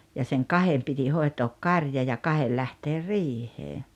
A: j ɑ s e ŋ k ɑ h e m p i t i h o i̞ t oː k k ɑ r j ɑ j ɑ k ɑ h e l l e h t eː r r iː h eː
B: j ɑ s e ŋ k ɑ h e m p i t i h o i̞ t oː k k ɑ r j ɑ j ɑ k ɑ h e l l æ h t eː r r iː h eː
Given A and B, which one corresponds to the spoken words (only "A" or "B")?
B